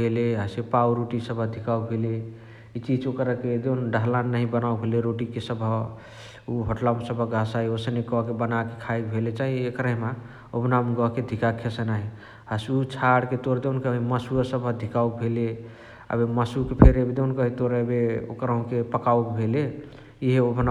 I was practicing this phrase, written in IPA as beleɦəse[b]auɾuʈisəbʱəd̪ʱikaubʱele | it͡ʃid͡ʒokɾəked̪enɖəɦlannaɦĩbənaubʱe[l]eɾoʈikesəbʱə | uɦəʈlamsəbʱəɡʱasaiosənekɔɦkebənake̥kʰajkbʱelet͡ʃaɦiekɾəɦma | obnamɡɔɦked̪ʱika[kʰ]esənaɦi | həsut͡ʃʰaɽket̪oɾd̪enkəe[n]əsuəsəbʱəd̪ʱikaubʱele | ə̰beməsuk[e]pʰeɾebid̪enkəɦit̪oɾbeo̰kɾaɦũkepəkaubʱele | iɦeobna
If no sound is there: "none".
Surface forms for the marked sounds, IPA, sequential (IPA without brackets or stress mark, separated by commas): p, l, kʰ, m, e